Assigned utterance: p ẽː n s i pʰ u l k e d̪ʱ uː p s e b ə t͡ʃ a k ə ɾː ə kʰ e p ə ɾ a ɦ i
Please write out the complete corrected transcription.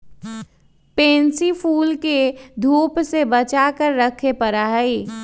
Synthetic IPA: p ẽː n s i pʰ uː l k e d̪ʱ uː p s e b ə t͡ʃ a k ə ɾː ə kʰ e p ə ɾ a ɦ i